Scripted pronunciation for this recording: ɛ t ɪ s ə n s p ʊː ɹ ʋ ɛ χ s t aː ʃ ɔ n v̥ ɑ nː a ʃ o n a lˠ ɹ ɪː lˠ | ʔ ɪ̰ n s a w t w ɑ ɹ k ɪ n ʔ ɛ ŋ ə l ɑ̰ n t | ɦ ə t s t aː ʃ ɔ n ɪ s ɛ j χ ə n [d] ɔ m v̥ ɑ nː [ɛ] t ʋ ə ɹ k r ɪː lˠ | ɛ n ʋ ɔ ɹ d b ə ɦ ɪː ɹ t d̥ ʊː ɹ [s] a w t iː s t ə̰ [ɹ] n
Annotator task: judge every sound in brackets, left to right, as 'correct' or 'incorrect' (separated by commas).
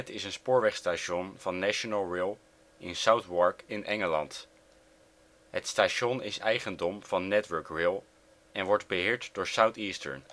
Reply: correct, correct, correct, correct